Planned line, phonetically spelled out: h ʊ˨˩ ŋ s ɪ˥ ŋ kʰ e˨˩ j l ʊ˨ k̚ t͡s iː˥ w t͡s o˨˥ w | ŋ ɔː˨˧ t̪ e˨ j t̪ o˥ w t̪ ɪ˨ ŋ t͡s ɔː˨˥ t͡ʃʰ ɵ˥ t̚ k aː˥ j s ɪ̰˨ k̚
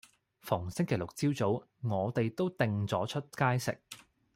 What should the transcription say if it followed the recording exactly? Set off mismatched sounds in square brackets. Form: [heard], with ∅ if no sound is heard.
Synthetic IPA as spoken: [f] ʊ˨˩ ŋ s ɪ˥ ŋ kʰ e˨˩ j l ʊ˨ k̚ t͡s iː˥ w t͡s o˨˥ w | ŋ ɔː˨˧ t̪ e˨ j t̪ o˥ w t̪ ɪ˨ ŋ t͡s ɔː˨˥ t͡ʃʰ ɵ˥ t̚ k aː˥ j s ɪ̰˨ k̚